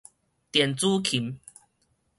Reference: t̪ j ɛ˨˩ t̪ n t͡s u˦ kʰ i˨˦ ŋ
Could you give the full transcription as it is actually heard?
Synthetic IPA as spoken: t̪ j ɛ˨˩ n t͡s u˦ kʰ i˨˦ m